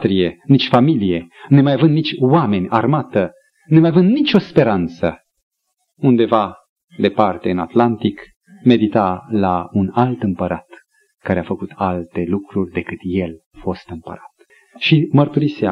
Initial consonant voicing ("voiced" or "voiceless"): voiceless